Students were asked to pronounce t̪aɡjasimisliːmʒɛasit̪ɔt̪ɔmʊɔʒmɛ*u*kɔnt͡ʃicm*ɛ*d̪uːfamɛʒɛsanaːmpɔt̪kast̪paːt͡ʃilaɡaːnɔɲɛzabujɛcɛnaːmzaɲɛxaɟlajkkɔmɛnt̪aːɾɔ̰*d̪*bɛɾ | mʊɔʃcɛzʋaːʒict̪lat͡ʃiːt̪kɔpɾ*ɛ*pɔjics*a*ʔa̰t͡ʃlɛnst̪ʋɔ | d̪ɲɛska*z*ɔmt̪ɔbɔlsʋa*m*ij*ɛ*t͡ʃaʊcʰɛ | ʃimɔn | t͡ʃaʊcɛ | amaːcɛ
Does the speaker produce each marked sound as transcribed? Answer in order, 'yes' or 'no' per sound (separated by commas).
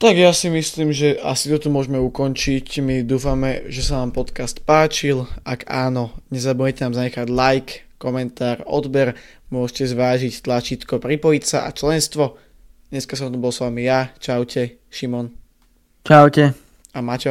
yes, no, yes, no, yes, no, yes, no